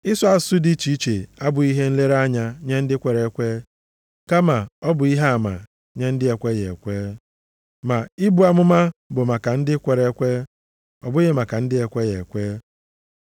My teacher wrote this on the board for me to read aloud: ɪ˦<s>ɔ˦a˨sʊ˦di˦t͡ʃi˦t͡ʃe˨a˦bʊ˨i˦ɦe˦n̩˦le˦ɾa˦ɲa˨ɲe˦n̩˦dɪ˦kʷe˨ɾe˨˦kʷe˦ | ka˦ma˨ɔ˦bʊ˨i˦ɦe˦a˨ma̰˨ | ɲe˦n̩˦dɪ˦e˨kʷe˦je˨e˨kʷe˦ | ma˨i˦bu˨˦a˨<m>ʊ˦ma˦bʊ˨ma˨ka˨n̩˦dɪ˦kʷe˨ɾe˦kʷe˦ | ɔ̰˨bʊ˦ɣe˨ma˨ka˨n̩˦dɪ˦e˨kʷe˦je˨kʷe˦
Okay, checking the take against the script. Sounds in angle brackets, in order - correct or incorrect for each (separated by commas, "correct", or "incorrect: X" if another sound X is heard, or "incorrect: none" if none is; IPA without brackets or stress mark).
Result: correct, correct